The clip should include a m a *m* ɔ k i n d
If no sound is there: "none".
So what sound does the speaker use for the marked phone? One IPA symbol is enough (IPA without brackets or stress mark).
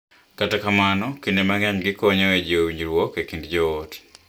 n